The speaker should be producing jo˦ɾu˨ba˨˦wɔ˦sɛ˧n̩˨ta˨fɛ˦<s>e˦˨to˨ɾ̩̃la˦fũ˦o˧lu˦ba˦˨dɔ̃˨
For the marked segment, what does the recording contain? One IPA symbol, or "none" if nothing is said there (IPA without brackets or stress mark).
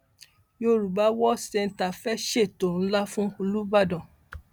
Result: ʃ